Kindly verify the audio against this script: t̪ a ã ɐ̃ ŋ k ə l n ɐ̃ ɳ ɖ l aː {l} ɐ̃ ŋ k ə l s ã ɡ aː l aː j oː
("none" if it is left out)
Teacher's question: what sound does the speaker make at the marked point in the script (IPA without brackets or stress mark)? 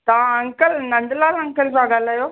l